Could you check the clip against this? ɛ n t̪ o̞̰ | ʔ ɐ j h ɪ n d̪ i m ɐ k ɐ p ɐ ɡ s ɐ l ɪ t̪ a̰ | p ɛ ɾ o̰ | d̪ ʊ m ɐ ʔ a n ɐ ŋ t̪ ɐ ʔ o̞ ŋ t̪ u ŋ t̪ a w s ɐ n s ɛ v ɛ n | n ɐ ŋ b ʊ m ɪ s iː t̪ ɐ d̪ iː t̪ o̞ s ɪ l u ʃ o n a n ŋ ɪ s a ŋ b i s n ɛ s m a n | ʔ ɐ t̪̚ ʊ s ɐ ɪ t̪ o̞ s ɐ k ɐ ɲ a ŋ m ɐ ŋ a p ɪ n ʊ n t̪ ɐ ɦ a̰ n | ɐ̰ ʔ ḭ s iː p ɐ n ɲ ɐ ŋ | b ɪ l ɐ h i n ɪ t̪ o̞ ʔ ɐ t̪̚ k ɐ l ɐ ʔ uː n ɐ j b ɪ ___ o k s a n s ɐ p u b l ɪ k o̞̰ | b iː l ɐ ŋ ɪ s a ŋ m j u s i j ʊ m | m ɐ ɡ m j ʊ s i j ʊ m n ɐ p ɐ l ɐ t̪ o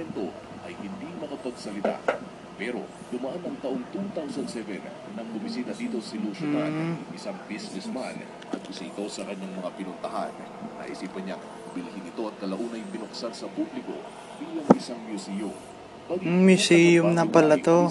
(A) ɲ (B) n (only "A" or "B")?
B